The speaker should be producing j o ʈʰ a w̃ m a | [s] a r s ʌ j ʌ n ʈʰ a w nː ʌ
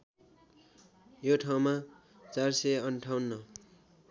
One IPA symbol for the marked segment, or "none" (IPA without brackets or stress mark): t͡s